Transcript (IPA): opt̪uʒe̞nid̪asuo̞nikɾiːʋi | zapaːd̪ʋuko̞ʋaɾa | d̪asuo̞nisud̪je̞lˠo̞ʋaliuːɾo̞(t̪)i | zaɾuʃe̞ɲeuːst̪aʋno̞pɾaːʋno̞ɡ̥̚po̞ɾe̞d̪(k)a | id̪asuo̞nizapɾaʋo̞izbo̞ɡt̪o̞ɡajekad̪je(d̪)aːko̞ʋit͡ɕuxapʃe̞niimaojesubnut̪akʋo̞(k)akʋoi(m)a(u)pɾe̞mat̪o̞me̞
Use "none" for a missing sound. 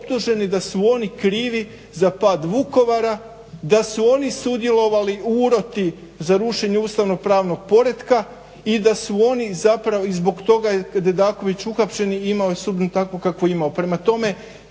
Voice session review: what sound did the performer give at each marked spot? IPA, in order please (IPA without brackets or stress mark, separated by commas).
t̪, k, d̪, k, m, o